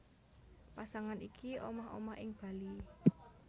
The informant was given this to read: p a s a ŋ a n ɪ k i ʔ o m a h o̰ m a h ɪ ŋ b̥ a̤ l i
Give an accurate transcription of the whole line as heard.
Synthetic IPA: p a s a ŋ a n i k i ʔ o m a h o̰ m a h ɪ ŋ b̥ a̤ l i